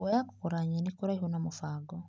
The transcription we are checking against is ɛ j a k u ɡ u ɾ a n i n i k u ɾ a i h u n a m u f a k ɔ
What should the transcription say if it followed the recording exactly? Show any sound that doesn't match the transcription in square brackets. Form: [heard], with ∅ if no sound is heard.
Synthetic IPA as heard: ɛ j a k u [k] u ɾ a [ɲ] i n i k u ɾ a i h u n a m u f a [ɡ] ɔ